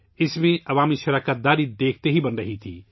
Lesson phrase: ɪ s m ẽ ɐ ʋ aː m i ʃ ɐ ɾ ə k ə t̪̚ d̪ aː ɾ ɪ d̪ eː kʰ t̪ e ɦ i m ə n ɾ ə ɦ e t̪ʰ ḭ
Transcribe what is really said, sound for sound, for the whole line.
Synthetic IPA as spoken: ɪ s m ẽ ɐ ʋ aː m i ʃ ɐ ɾ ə k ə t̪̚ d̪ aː ɾ i d̪ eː kʰ t̪ e ɦ i b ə n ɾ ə ɦ i t̪ʰ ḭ